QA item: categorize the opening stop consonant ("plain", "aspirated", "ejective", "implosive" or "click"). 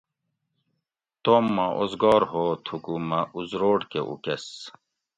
plain